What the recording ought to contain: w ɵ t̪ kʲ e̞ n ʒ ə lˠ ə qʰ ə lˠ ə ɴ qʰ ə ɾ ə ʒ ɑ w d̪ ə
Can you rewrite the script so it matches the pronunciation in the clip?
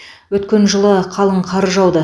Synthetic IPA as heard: w ɵ t̪ kʲ e̞ n ʒ ə lˠ ə qʰ ɑ lˠ ə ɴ qʰ ɑ ɾ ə ʒ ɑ w d̪ ə

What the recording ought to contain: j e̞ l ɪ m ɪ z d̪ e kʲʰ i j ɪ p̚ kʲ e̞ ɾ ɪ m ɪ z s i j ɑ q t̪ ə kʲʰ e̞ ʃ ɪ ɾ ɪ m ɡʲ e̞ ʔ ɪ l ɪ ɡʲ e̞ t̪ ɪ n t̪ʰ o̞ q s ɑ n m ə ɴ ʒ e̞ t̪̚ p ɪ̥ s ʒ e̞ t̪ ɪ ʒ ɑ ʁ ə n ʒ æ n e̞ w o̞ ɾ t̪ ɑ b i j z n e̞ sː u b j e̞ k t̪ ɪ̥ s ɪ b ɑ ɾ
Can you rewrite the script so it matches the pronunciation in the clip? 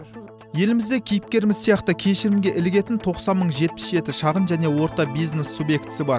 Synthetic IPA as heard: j e̞ l ɪ m ɪ z d̪ e kʲʰ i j ɪ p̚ kʲ e̞ ɾ ɪ m ɪ z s i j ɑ q t̪ ə kʲʰ e̞ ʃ ɪ ɾ ɪ m ɡʲ e̞ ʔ ɪ l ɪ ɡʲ e̞ t̪ ɪ n t̪ʰ o̞ q s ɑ n m ə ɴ ʒ e̞ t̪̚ p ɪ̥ s ʒ e̞ t̪ ɪ ʃ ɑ ʁ ə n ʒ æ n e̞ w o̞ ɾ t̪ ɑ b i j z n e̞ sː u b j e̞ k t̪ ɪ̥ s ɪ b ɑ ɾ

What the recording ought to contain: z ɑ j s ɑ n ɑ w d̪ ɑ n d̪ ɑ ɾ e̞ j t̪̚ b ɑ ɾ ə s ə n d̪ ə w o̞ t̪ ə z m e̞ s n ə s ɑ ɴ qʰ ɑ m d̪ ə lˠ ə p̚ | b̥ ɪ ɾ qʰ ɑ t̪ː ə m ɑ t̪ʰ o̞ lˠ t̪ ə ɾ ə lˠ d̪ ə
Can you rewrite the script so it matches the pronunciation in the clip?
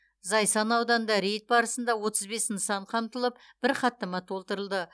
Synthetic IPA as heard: z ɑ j s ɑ n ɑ w d̪ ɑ n d̪ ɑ ɾ e̞ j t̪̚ b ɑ ɾ ə s ə n d̪ ɑ w o̞ t̪ ə z b e̞ s n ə s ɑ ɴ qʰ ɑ m t̪ ə lˠ ə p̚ | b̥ ɪ ɾ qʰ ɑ t̪ː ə m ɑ t̪ʰ o̞ lˠ t̪ ə ɾ ə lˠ d̪ ə

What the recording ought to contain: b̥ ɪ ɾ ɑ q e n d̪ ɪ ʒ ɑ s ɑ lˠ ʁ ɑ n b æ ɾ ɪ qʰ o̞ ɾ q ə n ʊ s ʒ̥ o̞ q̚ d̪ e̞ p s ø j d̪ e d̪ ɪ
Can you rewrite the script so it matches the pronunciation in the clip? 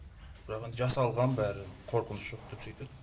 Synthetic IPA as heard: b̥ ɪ ɾ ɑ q e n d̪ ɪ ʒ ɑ s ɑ lˠ ʁ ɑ n b æ ɾ ɪ qʰ o̞ ɾ q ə n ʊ s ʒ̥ o̞ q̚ d̪ e̞ p s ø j t̪ e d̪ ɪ

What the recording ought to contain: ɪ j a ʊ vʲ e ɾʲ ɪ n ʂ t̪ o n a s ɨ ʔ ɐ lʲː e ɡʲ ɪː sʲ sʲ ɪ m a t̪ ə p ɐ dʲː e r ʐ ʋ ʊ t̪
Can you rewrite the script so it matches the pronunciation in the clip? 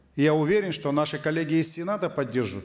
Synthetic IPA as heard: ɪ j a ʊ vʲ e ɾʲ ɪ n ʂ t̪ o n a ʂ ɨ k ɐ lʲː e ɡʲ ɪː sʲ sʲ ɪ n a t̪ ə p ɐ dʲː e r ʐ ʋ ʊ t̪

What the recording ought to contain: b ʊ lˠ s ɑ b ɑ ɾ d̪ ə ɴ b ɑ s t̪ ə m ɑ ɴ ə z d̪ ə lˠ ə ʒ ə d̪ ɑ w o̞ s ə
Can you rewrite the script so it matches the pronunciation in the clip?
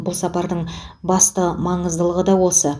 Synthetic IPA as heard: b ʊ lˠ s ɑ p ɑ ɾ d̪ ə ɴ b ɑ s t̪ ə m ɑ ɴ ə z d̪ ə lˠ ə ʁ ə d̪ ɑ w o̞ s ə

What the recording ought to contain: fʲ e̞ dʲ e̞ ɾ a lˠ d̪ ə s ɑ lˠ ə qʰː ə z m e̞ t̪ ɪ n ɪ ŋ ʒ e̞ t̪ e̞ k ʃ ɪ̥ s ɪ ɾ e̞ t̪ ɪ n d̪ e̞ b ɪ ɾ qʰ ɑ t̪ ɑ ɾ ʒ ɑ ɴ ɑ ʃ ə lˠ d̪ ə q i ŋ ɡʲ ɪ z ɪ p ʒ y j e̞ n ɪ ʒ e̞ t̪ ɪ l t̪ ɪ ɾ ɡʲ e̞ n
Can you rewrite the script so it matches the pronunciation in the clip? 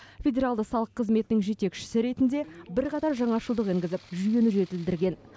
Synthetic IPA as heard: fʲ e̞ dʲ e̞ ɾ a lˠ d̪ ə s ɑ lˠ ə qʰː ə z m e̞ t̪ ɪ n ɪ ŋ ʒ e̞ t̪ e̞ k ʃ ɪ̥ s ɪ ɾ e̞ t̪ ɪ n d̪ e̞ b ɪ ɾ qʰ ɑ t̪ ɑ ɾ ʒ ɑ ɴ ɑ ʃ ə lˠ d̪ ə q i ŋ ɡʲ ɪ z ɪ p ʒ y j e̞ n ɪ ʒ e̞ t̪ ɪ l d̪ ɪ ɾ ɡʲ e̞ n

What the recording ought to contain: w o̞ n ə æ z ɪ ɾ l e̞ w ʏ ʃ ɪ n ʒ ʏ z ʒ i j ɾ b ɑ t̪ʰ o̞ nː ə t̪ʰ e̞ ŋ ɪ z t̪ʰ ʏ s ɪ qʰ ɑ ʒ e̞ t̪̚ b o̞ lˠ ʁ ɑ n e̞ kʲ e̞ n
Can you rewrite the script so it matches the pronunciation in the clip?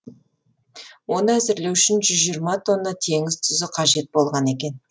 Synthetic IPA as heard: w o̞ n ə æ z ɪ ɾ l e̞ w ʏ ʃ ɪ n ʒ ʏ z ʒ i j ɾ m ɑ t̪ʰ o̞ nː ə t̪ʰ e̞ ŋ ɪ z t̪ʰ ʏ z ɪ qʰ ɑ ʒ e̞ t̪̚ b o̞ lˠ ʁ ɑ n e̞ kʲ e̞ n

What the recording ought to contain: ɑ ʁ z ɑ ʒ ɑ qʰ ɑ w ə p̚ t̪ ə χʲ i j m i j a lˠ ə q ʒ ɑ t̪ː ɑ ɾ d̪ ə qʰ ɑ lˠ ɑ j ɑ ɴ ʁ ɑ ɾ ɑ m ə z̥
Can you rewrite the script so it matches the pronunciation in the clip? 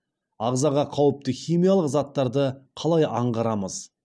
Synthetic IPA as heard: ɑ ʁ z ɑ ʁ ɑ qʰ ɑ w ə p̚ t̪ ə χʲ i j m i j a lˠ ə q z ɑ t̪ː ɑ ɾ d̪ ə qʰ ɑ lˠ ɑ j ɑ ɴ ʁ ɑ ɾ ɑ m ə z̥

